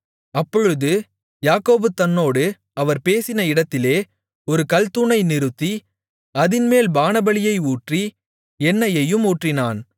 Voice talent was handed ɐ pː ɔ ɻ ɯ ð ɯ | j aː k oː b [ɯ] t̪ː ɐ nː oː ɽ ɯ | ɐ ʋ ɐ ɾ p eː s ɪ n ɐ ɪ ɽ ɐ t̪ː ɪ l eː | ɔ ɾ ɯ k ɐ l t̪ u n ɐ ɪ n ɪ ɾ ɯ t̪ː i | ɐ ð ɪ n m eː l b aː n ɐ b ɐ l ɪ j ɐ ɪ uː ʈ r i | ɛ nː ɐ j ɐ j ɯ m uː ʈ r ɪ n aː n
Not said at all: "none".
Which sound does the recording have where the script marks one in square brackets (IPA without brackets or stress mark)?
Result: ɯ